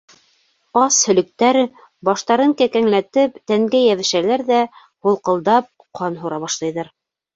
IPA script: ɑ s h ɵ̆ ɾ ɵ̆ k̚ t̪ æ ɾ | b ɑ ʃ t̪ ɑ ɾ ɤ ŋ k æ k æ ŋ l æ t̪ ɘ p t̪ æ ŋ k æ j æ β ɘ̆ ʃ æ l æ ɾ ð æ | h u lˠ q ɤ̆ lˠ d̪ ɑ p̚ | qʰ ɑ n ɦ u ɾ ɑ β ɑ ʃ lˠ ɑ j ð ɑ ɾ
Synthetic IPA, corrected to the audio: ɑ s h ɵ̆ l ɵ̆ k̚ t̪ æ ɾ | b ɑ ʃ t̪ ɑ ɾ ɤ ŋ k æ k æ ŋ l æ t̪ ɘ p t̪ æ ŋ ɡ æ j æ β ɘ̆ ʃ æ l æ ɾ ð æ | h u lˠ q ɤ̆ lˠ d̪ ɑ p̚ | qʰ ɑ n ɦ u ɾ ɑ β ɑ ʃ lˠ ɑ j ð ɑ ɾ